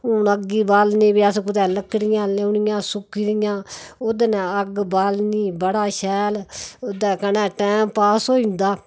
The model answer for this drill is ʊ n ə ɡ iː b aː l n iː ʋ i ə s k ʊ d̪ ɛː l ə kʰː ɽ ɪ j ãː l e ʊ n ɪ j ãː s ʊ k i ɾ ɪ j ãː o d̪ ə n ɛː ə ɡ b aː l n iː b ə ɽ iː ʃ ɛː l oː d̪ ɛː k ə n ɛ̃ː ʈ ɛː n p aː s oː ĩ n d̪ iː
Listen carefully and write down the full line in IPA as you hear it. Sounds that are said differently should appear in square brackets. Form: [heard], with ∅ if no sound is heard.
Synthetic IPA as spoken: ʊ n ə ɡ iː b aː l n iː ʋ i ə s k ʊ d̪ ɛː l ə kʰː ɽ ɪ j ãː l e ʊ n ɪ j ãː s ʊ k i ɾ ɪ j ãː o d̪ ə n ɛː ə ɡ b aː l n iː b ə ɽ [aː] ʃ ɛː l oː d̪ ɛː k ə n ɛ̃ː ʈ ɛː [m] p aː s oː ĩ n d̪ [aː]